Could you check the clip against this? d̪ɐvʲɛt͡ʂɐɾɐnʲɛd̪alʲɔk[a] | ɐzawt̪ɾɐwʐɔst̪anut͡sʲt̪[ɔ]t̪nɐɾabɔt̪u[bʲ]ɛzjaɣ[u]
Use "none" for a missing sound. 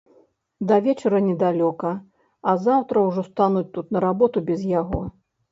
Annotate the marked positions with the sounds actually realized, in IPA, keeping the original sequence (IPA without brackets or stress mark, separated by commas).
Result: ɐ, u, bʲ, ɔ